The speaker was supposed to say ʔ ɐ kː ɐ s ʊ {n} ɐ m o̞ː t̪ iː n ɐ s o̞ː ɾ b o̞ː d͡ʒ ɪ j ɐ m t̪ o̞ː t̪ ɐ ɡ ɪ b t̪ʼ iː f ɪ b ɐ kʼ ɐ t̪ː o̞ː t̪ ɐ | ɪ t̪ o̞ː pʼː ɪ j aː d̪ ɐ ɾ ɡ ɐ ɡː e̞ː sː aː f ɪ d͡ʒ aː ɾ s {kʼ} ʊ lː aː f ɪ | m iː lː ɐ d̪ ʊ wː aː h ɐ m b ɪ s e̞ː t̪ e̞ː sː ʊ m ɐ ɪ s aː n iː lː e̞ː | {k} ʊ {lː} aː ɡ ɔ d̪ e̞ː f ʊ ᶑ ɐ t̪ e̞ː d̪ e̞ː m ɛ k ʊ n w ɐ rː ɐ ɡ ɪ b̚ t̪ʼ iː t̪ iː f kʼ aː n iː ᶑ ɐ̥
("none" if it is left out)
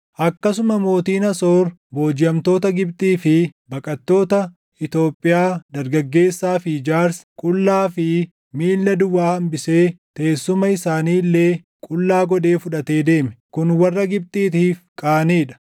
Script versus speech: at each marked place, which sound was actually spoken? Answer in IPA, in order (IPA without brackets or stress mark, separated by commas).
m, kʼ, kʼ, lː